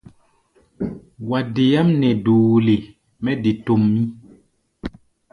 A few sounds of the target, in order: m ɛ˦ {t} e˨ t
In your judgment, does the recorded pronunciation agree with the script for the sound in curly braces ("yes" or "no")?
no